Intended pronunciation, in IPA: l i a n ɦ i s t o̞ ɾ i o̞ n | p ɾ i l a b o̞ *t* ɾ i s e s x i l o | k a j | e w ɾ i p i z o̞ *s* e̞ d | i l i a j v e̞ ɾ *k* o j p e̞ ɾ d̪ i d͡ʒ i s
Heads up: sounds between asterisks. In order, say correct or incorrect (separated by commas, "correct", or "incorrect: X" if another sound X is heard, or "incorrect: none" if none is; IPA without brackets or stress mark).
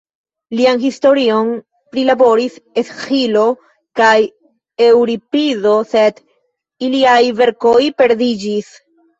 incorrect: none, correct, correct